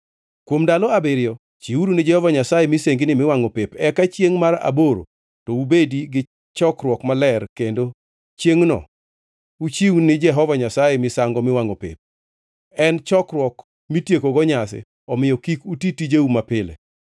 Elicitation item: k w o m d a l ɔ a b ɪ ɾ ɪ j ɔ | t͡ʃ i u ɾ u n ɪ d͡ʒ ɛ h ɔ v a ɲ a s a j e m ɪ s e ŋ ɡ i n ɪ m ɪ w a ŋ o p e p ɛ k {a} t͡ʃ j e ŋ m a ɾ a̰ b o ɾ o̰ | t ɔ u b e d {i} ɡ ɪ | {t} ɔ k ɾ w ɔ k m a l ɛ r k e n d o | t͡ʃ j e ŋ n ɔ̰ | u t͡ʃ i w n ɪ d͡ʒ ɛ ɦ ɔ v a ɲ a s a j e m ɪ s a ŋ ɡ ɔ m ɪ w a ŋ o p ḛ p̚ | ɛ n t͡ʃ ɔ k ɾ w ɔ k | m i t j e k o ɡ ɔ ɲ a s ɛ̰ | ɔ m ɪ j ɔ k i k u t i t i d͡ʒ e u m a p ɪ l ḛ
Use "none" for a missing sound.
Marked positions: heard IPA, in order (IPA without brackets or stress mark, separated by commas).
a, i, t͡ʃ